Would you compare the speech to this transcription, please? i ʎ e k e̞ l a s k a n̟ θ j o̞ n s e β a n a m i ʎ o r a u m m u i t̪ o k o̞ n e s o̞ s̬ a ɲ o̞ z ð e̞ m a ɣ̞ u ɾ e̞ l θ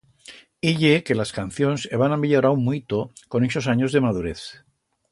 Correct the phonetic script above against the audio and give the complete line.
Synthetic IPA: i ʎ e k e̞ l a s k a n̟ θ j o̞ n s e β a n a m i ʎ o ɾ a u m m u i t̪ o k o̞ n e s o̞ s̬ a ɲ o̞ z ð e̞ m a ð̞ u ɾ e̞ θ